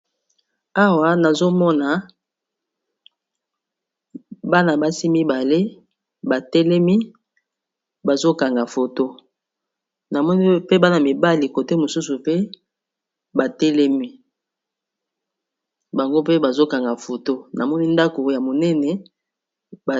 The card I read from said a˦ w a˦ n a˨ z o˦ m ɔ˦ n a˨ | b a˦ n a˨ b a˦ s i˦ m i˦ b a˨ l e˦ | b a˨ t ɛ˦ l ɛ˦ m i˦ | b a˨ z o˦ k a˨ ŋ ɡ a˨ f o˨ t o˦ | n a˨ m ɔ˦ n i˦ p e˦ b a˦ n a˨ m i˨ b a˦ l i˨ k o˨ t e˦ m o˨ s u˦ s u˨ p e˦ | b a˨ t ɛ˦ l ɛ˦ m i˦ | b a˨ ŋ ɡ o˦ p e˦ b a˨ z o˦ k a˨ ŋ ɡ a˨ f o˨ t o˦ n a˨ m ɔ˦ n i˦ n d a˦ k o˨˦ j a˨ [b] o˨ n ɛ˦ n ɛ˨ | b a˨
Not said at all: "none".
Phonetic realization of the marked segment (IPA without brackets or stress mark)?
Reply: m